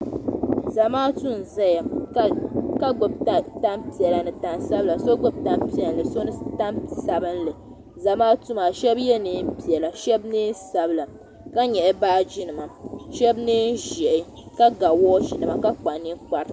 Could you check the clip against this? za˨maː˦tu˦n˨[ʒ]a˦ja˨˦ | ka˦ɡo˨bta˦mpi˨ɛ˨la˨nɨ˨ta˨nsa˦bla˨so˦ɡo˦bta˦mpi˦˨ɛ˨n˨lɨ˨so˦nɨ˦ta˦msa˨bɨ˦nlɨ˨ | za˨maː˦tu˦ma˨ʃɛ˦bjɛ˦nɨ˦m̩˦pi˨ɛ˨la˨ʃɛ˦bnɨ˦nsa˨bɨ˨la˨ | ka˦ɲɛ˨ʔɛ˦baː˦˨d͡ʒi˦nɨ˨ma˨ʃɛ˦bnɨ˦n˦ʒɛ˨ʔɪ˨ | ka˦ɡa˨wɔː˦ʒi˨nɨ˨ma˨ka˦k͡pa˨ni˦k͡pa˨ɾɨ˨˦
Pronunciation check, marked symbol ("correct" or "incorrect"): incorrect